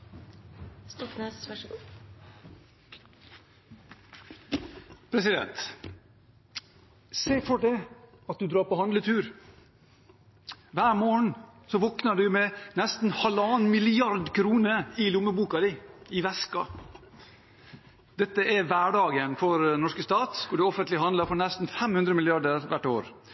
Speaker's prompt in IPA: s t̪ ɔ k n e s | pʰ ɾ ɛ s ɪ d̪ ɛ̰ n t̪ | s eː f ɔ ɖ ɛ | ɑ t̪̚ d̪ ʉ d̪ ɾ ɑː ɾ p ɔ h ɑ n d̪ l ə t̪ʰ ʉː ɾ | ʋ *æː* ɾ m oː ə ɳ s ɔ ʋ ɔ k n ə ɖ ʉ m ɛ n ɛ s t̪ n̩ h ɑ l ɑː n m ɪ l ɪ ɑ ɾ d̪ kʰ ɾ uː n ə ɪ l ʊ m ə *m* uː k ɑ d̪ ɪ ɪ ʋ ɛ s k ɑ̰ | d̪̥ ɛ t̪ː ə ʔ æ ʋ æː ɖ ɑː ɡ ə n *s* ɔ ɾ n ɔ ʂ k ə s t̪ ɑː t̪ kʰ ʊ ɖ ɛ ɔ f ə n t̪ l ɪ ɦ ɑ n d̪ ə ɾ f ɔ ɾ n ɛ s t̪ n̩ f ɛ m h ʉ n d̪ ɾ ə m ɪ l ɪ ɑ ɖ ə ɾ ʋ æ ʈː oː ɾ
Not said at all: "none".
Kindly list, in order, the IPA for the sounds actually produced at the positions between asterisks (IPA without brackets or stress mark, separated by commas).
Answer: æː, b, f